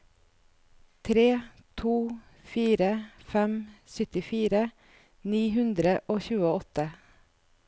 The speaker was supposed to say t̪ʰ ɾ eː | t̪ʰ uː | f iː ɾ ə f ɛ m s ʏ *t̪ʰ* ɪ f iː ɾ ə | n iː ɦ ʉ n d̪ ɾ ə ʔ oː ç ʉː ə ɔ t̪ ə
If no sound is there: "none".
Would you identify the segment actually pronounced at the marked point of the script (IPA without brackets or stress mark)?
t̪